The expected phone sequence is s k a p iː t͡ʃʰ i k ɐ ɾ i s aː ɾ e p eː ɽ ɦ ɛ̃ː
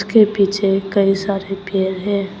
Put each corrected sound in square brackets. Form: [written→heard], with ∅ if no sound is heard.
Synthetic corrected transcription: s k [a→e] p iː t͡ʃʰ [i→e] k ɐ [ɾ→∅] i s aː ɾ e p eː [ɽ→ɾ] ɦ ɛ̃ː